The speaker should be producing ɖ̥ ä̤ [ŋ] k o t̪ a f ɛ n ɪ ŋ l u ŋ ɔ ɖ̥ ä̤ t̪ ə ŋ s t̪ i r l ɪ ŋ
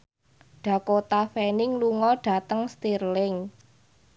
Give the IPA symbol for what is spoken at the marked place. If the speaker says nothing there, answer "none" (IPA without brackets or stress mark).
none